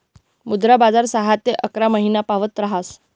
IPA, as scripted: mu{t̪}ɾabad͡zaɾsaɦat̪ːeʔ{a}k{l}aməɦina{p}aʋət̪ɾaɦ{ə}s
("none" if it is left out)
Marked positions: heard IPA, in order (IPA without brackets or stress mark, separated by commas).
d̪, ə, ɾ, p, a